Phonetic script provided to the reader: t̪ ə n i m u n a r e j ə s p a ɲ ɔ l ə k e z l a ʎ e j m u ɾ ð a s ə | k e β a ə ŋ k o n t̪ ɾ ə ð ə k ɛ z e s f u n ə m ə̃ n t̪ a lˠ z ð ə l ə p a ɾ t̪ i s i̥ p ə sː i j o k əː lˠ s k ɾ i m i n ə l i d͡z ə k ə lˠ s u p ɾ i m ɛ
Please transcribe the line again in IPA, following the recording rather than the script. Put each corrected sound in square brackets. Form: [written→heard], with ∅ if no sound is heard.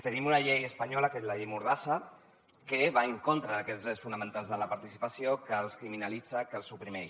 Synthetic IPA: t̪ ə n i m u n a [r→ʎ] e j ə s p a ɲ ɔ l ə k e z l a ʎ e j m u ɾ ð a s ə | k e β a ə ŋ k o n t̪ ɾ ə ð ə k ɛ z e s f u n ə m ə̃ n t̪ a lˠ z ð ə l ə p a ɾ t̪ i s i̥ p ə [sː→s] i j o k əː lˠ s k ɾ i m i n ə l i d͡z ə k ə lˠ s u p ɾ i m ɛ